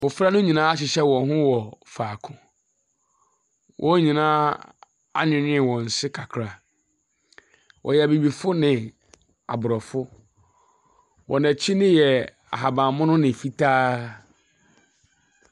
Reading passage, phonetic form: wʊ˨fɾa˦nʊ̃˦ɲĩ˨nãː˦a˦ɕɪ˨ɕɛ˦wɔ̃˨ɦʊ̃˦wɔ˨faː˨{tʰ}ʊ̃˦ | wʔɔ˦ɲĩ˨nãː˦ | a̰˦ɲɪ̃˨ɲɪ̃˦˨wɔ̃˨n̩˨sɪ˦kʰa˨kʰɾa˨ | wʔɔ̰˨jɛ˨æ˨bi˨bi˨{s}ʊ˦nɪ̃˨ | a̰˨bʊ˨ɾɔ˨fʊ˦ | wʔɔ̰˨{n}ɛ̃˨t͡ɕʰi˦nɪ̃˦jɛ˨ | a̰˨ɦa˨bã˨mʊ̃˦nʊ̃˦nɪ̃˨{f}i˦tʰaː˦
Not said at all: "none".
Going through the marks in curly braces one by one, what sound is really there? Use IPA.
kʰ, f, n, f

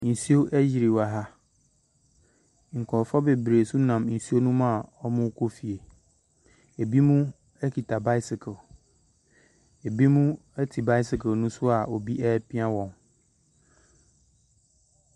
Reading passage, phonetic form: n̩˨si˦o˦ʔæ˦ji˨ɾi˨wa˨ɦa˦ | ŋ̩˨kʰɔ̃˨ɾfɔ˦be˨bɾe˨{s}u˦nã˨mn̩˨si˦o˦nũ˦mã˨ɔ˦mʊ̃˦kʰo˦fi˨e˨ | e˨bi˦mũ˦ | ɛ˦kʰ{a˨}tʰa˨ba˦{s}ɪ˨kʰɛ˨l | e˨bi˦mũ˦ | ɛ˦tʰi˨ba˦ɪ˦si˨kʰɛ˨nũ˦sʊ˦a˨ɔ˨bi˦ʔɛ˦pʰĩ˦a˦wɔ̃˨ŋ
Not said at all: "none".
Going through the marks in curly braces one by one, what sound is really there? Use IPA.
s, i˨, s

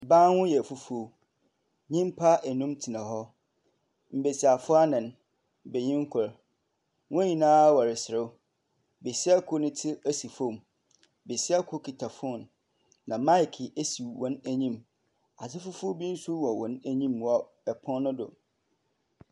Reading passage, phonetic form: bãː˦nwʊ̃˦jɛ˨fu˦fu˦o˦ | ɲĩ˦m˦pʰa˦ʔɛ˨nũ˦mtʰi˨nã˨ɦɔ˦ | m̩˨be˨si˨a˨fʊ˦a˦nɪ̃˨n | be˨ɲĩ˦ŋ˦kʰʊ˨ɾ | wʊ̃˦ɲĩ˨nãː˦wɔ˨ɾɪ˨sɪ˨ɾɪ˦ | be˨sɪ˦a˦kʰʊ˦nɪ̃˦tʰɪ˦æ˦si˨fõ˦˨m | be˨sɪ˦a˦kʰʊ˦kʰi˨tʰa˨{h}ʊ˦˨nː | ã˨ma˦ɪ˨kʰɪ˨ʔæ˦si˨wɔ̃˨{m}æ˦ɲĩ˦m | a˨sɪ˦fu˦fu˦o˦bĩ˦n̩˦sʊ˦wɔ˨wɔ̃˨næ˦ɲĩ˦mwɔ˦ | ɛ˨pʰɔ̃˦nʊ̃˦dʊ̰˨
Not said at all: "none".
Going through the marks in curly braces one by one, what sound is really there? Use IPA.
f, n

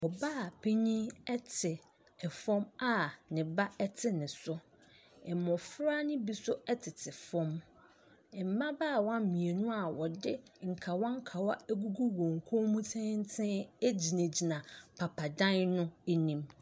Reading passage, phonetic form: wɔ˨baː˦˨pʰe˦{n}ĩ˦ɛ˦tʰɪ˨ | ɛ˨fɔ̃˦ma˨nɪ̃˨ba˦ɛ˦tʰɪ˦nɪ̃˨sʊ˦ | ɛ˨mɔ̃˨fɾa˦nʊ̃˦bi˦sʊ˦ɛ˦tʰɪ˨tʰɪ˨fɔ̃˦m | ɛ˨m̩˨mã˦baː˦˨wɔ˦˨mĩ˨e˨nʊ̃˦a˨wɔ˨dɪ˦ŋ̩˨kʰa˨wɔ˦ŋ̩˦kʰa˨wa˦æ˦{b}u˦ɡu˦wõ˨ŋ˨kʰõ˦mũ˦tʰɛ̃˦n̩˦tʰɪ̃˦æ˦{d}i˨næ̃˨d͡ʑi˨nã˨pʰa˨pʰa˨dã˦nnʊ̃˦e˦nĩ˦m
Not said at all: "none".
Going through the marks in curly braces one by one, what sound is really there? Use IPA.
ɲ, ɡ, d͡ʑ

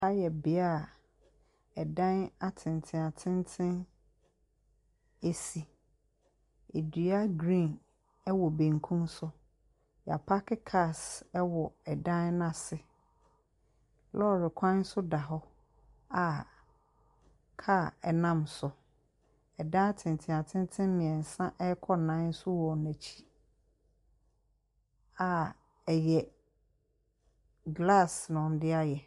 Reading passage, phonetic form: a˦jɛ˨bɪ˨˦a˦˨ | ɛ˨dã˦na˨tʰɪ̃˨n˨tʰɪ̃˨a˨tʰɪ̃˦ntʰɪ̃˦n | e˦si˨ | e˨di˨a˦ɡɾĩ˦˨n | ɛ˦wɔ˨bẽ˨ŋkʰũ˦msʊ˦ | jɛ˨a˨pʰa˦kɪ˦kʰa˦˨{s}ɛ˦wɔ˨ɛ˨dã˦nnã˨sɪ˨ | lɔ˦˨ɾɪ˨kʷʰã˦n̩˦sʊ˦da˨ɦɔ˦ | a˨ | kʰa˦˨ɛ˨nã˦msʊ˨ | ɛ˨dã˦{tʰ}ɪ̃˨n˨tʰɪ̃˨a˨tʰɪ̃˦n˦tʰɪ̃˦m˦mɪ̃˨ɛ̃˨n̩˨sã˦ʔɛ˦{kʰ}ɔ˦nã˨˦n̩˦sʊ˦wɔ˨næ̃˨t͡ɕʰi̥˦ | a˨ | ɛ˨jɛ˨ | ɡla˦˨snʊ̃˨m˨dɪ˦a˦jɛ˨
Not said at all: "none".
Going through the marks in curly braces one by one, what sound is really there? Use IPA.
s, tʰ, kʰ

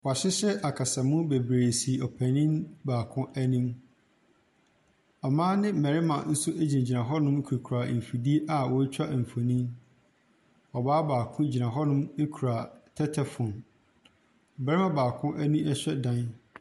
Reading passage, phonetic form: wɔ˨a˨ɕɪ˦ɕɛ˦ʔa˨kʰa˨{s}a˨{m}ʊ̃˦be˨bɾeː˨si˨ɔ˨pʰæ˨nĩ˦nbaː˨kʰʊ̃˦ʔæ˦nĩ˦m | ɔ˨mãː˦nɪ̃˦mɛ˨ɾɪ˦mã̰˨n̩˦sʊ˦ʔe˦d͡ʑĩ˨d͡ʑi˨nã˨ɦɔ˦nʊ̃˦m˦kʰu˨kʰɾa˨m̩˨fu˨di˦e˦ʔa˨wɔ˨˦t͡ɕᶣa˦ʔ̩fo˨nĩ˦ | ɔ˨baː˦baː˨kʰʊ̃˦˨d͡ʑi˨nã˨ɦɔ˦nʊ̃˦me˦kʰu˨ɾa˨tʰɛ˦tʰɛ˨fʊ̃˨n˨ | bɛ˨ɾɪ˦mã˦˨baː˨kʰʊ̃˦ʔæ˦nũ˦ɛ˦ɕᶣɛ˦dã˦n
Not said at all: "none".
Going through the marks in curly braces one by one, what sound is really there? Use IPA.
s, m

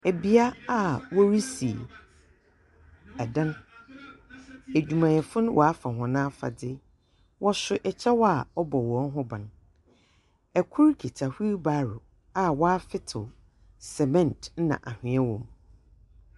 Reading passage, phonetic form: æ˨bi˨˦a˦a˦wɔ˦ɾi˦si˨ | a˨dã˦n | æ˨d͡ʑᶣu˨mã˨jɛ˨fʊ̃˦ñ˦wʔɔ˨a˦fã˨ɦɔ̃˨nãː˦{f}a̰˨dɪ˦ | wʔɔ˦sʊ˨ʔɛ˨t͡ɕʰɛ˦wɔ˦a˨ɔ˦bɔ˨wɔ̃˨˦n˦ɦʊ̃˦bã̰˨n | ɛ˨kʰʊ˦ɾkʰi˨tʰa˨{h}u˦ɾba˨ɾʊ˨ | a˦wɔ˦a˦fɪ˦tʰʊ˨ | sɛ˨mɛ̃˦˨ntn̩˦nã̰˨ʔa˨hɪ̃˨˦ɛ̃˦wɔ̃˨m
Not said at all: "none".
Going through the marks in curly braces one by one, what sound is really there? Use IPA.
f, h

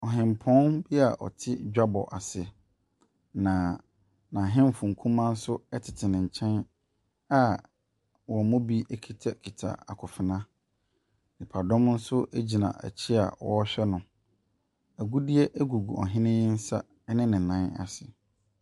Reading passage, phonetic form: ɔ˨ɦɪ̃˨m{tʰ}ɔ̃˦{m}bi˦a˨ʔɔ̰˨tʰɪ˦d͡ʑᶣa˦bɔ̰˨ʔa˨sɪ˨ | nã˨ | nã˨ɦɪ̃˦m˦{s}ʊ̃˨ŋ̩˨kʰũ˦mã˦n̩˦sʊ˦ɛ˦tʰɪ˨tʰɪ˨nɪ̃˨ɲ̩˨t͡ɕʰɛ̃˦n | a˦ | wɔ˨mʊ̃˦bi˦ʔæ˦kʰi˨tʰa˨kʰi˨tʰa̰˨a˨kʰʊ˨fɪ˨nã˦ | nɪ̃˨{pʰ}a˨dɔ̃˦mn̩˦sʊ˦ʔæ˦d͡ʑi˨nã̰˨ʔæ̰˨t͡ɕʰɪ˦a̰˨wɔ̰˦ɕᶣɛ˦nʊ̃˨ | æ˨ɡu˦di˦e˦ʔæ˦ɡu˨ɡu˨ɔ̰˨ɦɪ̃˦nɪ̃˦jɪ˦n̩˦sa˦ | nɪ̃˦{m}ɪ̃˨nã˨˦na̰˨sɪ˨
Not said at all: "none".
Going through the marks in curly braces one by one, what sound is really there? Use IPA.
pʰ, n, f, pʰ, n

